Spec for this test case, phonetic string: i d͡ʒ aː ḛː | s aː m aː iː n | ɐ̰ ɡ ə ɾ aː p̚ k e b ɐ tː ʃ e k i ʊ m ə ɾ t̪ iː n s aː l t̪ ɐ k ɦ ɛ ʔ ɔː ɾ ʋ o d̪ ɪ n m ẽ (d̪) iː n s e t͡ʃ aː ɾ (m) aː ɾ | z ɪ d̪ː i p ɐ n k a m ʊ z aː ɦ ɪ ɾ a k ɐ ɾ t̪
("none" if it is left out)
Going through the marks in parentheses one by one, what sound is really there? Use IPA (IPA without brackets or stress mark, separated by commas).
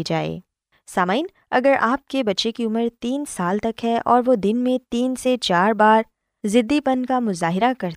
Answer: t̪, b